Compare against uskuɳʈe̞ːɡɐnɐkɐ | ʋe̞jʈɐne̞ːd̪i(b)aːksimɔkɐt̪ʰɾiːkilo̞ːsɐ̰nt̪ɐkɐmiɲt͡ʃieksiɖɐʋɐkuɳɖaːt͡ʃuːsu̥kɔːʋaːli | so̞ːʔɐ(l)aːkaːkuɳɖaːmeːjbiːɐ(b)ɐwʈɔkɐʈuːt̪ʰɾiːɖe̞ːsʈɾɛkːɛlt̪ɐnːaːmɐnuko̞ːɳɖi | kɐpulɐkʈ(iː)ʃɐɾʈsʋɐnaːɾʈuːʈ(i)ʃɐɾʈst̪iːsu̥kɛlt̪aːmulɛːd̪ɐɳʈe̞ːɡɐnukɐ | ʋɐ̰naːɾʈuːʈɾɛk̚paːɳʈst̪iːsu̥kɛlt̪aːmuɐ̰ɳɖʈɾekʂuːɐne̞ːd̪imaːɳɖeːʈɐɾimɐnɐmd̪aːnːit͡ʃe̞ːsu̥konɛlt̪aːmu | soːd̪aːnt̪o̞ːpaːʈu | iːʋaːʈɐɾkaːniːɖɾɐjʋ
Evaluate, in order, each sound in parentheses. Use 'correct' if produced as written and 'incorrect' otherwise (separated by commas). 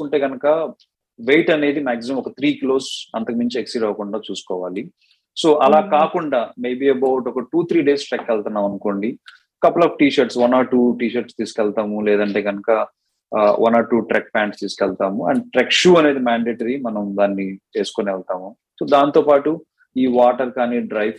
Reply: incorrect, correct, correct, correct, incorrect